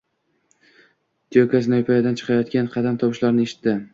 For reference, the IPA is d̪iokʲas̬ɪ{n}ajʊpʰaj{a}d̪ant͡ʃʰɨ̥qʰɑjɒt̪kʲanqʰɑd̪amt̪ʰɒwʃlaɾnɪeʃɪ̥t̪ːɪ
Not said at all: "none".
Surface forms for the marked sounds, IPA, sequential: n, a

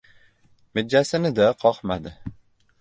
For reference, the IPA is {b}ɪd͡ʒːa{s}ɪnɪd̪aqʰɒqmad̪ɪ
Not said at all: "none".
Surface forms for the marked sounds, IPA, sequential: m, s

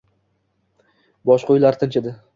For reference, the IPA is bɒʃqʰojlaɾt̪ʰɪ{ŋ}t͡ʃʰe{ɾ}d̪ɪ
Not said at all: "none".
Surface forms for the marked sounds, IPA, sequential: n, none

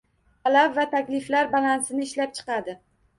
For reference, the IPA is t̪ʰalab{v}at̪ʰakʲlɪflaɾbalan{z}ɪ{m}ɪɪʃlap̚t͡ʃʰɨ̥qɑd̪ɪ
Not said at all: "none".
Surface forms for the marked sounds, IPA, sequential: v, s, n

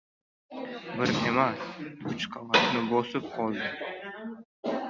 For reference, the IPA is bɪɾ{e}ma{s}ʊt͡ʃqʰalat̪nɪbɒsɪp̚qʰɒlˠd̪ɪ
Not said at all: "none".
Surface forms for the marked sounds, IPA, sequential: e, s

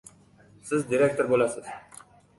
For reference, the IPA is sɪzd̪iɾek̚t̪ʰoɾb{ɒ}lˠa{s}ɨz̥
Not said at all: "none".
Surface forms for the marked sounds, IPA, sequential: o, s

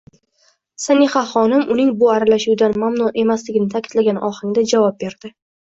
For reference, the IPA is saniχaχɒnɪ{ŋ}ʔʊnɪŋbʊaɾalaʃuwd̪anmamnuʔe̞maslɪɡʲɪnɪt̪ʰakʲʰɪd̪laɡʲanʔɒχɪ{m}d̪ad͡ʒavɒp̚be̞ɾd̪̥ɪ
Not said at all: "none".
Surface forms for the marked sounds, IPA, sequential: m, ŋ

